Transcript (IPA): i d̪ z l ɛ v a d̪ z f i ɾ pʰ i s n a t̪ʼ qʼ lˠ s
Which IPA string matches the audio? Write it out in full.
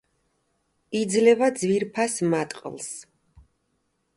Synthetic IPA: i d̪ z l ɛ v a d̪ z v i ɾ pʰ a s m a t̪ʼ qʼ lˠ s